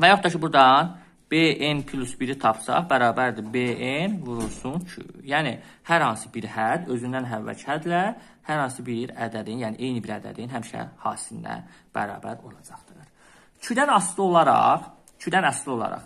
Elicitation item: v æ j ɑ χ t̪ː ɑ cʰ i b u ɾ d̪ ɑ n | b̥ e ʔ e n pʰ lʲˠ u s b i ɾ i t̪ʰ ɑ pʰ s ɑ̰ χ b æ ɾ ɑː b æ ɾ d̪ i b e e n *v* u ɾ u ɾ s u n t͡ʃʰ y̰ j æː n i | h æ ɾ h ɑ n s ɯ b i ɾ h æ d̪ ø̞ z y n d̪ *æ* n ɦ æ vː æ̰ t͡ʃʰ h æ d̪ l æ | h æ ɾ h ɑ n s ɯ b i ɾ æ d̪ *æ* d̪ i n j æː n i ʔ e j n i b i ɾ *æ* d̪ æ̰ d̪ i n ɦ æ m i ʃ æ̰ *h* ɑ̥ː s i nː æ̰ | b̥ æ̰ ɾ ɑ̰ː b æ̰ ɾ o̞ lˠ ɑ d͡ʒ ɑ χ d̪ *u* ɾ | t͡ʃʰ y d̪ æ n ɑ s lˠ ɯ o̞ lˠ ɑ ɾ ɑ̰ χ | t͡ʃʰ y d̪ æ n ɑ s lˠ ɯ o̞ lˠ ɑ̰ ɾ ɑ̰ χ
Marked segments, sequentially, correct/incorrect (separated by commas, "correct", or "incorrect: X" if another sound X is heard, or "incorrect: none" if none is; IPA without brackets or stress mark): correct, correct, correct, correct, correct, incorrect: ɯ